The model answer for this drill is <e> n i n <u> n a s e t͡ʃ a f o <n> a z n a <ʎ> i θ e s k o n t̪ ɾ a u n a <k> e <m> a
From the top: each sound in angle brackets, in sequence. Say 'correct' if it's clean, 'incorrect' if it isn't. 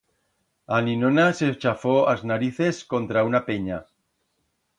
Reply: incorrect: a, incorrect: o, incorrect: none, incorrect: ɾ, incorrect: p, incorrect: ɲ

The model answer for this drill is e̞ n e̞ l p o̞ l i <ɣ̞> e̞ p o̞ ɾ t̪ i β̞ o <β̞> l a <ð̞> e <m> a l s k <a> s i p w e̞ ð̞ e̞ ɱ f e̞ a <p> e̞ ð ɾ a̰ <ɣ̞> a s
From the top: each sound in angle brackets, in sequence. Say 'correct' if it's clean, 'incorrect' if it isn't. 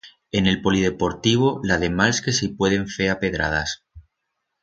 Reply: incorrect: ð̞, incorrect: none, correct, correct, incorrect: e, correct, incorrect: ð̞

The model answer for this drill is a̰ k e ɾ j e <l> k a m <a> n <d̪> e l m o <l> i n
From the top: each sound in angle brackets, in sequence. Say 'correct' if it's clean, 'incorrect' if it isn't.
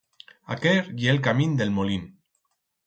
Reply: correct, incorrect: i, correct, correct

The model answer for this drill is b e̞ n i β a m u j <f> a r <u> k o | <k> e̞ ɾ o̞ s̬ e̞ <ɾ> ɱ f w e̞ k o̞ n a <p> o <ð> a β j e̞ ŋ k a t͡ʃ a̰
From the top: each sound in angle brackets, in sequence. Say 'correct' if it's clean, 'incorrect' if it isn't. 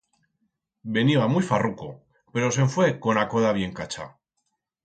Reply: correct, correct, incorrect: p, incorrect: none, incorrect: k, correct

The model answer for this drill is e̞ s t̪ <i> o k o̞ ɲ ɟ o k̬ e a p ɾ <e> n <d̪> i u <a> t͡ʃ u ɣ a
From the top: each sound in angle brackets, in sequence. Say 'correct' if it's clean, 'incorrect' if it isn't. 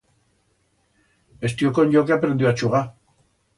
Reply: correct, correct, correct, correct

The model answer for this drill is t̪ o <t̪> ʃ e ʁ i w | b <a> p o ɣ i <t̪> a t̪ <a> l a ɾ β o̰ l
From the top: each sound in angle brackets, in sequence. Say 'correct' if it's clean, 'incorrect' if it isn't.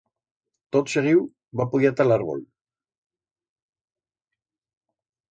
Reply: correct, correct, incorrect: none, correct

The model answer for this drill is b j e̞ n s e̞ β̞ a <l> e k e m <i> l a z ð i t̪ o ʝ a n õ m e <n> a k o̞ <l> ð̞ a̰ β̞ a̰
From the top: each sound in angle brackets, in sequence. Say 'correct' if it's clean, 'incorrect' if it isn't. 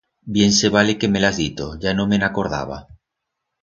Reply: correct, incorrect: e, correct, incorrect: ɾ

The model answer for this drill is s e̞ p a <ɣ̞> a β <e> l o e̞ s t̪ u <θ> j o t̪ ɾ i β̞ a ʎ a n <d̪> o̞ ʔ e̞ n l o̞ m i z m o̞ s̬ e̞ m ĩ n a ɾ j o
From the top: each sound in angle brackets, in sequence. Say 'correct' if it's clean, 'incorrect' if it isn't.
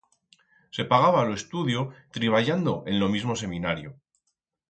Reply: correct, incorrect: a, incorrect: ð, correct

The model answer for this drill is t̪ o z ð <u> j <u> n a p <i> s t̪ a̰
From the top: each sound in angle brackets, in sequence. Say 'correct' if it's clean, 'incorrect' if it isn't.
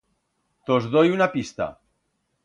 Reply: incorrect: o, correct, correct

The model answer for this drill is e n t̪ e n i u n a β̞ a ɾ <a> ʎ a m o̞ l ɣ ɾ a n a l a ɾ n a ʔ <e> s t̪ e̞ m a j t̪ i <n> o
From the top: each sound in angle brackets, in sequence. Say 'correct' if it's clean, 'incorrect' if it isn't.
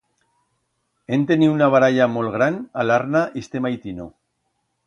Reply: correct, incorrect: i, correct

